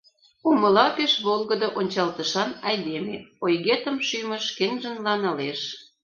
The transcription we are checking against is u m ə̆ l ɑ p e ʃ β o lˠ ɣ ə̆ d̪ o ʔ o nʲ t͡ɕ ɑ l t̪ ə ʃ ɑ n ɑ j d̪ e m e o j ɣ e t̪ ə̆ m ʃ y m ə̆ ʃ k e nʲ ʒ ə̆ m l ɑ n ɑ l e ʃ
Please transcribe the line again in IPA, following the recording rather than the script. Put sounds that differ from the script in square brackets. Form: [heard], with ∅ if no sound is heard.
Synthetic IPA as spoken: u m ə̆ l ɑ p e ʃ β o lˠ ɣ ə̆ d̪ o ʔ o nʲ t͡ɕ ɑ l t̪ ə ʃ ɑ n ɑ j d̪ e m e o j ɣ e t̪ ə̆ m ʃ y m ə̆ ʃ k e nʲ ʒ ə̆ [n] l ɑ n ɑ l e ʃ